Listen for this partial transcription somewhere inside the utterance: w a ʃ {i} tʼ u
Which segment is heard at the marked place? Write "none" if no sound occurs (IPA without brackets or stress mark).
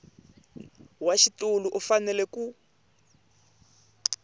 i